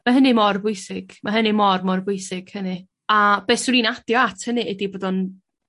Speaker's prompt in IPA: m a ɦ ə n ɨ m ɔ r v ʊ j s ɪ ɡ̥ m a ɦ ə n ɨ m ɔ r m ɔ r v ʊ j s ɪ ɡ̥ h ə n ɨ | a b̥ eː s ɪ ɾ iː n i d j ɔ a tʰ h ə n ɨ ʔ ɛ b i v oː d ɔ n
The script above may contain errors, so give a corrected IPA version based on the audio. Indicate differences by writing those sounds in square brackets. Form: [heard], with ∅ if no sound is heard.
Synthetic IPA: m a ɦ ə n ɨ m ɔ r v ʊ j s ɪ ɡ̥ m a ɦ ə n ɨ m ɔ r m ɔ r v ʊ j s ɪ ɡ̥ h ə n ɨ | a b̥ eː s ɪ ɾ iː n [a] d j ɔ a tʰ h ə n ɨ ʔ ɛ [d] i [b] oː d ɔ n